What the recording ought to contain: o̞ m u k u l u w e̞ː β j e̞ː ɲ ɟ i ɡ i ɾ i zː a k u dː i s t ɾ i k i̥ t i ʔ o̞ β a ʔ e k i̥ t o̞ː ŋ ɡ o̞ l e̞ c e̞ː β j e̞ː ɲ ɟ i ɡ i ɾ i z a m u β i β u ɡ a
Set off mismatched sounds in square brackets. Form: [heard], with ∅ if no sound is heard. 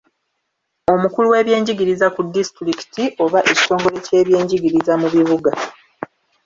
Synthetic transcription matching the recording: o̞ m u k u l u w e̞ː β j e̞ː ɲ ɟ i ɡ i ɾ i [z] a k u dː i s t ɾ i k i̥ t i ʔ o̞ β a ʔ e [c] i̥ t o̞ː ŋ ɡ o̞ l e̞ c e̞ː β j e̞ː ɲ ɟ i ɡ i ɾ i z a m u β i β u ɡ a